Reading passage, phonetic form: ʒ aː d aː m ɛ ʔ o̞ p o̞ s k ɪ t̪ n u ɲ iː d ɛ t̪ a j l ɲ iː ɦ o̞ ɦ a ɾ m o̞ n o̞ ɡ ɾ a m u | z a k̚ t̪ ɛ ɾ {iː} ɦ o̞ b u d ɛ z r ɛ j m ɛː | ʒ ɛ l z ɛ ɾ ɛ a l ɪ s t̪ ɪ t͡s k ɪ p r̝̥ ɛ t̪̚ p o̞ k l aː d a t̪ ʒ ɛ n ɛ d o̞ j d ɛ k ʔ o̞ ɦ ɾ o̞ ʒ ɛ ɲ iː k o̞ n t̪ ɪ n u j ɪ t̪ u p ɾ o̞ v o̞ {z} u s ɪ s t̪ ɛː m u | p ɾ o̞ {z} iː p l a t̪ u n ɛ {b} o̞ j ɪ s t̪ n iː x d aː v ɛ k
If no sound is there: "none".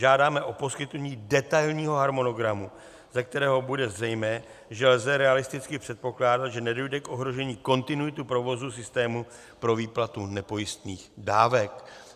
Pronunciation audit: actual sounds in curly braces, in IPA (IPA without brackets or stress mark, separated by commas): ɛː, z, v, p